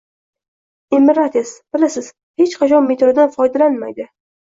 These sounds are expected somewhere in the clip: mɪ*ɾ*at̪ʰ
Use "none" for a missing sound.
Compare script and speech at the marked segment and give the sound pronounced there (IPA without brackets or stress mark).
ɾ